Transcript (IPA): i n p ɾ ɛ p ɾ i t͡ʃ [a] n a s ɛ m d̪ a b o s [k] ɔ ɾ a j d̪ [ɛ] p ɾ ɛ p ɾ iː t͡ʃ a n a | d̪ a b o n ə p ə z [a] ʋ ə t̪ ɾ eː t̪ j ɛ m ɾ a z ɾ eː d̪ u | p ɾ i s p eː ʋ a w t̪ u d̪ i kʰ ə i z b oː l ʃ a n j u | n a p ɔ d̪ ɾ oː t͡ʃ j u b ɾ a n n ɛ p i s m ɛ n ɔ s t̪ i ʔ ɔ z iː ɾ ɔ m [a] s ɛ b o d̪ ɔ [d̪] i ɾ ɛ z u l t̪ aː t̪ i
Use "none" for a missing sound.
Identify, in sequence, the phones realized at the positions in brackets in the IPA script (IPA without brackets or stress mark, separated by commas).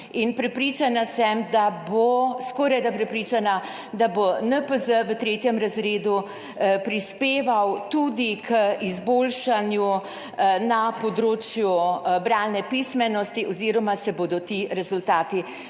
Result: a, k, a, ə, a, t̪